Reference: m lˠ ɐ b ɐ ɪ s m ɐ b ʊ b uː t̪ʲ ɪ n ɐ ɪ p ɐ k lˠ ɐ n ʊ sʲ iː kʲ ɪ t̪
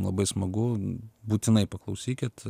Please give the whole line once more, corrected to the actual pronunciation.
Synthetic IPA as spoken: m lˠ ɐ b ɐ ɪ s m ɐ ɡ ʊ b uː t̪ʲ ɪ n ɐ ɪ p ɐ k lˠ ɐ ʊ sʲ iː kʲ ɪ t̪

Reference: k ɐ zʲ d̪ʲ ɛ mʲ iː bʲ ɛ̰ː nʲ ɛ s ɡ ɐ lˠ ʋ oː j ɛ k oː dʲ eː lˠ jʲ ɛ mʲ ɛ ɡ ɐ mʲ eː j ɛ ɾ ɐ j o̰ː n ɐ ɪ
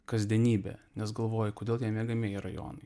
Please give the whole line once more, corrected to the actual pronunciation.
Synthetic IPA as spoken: k ɐ zʲ d̪ʲ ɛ nʲ iː bʲ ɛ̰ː nʲ ɛ s ɡ ɐ lˠ ʋ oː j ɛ k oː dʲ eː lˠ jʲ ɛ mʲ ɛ ɡ ɐ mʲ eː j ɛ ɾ ɐ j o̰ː n ɐ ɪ

